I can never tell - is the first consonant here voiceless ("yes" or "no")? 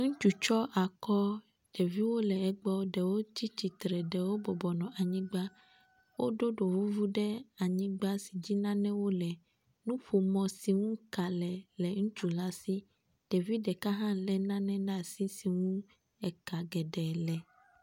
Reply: no